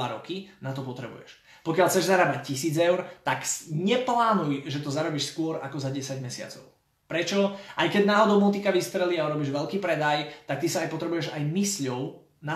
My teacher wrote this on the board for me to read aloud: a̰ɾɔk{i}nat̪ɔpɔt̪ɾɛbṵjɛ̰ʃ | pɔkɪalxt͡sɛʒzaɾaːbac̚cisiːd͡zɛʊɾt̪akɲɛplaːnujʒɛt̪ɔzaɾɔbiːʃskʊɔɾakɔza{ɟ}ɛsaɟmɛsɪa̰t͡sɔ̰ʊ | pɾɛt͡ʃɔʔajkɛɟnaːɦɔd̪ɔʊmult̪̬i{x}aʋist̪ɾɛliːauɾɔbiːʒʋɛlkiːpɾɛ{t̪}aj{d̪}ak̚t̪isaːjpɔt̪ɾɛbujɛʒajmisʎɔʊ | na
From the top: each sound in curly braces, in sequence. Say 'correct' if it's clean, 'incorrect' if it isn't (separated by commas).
correct, correct, incorrect, incorrect, incorrect